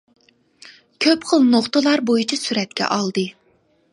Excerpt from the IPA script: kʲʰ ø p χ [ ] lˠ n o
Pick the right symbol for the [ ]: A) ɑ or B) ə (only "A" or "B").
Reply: B